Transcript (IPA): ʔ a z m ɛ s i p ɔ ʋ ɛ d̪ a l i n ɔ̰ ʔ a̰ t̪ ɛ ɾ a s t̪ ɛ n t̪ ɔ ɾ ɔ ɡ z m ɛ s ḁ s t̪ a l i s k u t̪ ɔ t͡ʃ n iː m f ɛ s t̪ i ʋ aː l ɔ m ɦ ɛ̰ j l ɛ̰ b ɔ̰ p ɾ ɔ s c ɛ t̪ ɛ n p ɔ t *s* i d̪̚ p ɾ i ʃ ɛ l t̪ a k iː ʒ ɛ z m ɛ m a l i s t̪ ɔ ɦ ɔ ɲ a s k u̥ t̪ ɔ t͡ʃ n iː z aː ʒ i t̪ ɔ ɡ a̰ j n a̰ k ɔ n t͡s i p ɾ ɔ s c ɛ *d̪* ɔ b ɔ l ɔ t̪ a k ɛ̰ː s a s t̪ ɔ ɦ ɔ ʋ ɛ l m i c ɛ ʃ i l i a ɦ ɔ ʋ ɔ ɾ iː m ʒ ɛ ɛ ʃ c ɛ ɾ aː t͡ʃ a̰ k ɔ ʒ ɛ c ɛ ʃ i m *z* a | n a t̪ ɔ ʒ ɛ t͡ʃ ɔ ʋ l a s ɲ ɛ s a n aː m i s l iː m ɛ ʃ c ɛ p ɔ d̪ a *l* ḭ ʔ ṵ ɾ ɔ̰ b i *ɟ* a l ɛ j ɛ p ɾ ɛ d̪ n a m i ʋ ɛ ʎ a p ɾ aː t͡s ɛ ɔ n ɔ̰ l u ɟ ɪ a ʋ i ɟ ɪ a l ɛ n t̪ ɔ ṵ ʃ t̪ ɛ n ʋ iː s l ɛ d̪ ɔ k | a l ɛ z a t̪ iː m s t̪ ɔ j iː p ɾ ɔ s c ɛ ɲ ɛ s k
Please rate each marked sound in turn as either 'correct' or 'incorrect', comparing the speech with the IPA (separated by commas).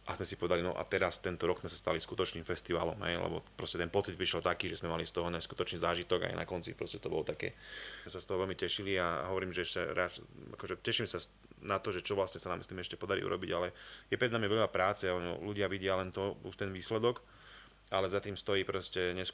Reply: incorrect, incorrect, incorrect, incorrect, correct